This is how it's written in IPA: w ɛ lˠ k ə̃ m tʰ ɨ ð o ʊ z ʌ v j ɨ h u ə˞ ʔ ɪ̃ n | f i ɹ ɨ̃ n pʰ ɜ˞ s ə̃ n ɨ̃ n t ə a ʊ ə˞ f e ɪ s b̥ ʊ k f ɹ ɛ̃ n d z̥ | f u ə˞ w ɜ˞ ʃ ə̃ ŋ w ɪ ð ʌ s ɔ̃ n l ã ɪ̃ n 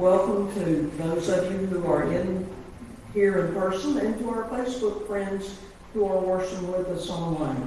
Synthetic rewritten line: w ɛ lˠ k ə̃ m tʰ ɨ ð o ʊ z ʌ v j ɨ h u ə˞ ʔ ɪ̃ n | h i ɹ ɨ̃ n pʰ ɜ˞ s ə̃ n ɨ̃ n t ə a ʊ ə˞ f e ɪ s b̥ ʊ k f ɹ ɛ̃ n d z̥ | h u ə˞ w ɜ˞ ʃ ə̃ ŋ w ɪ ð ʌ s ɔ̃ n l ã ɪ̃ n